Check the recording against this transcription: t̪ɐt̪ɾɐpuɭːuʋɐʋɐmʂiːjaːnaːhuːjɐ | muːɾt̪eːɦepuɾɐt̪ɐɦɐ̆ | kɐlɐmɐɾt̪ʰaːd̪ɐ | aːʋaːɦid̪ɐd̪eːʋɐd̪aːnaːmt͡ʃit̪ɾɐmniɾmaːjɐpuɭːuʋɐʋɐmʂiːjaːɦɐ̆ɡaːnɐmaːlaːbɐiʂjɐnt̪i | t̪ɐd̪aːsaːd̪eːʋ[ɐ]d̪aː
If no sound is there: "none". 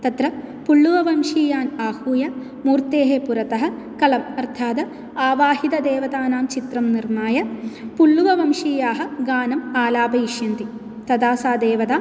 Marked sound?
ɐ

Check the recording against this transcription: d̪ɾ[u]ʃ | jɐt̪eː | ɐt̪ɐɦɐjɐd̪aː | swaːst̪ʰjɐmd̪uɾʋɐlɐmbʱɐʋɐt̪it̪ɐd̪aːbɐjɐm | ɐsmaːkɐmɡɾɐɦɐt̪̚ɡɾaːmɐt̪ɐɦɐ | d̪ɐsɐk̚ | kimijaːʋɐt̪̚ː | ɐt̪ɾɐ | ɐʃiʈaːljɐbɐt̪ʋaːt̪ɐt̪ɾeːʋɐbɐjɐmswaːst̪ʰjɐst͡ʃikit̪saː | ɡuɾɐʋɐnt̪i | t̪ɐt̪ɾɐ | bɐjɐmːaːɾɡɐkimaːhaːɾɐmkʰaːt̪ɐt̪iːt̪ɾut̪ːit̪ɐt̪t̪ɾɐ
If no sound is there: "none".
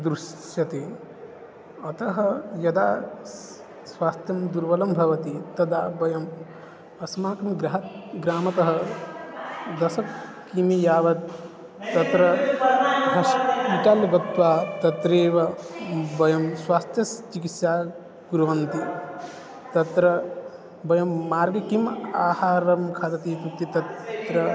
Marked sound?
u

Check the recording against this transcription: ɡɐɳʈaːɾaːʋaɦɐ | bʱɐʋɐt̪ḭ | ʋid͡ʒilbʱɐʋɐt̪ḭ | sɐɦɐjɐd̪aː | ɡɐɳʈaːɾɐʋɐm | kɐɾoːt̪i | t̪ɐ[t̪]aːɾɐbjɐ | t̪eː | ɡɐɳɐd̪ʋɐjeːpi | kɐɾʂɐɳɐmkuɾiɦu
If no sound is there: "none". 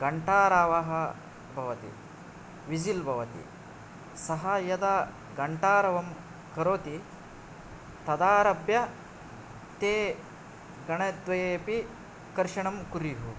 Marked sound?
d̪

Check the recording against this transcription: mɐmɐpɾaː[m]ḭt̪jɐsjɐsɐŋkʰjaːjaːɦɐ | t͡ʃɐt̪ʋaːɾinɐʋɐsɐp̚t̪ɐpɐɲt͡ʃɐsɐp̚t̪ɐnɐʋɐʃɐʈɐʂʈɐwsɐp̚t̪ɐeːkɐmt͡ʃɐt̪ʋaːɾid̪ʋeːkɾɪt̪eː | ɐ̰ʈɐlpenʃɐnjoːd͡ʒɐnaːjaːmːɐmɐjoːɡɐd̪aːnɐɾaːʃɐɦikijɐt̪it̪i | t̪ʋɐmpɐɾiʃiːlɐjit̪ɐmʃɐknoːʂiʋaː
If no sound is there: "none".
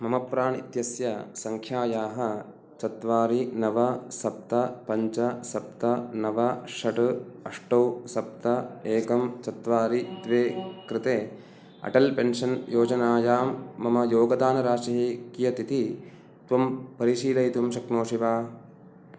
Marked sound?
ɳ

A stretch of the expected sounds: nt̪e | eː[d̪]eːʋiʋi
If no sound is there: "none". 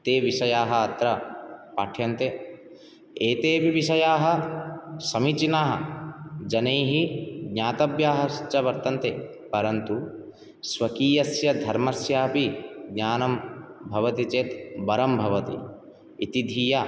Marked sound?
t̪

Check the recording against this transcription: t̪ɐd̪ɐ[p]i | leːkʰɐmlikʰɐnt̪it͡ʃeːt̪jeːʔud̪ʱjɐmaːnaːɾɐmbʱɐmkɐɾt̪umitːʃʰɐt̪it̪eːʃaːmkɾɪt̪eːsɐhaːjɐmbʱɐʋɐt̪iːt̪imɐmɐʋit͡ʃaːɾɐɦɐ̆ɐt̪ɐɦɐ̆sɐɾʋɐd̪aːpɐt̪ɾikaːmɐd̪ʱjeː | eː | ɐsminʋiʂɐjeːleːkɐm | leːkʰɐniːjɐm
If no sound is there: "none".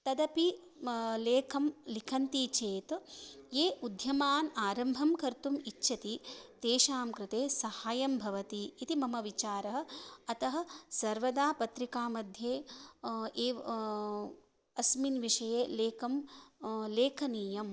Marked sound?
p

